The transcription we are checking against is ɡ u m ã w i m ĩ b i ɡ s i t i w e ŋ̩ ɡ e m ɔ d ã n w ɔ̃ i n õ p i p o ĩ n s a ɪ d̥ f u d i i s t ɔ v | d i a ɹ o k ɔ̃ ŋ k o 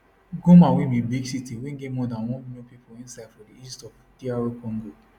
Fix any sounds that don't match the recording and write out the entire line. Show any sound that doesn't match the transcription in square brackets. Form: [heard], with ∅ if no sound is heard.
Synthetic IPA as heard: ɡ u m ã w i m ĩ b i ɡ s i t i w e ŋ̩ ɡ e m ɔ d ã n w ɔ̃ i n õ p i p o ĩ n s a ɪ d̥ f [ɔ] d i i s t ɔ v | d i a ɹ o k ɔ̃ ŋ [ɡ] o